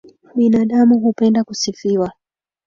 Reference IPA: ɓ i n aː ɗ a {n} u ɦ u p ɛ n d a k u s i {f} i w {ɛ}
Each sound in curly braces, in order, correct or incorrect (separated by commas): incorrect, correct, incorrect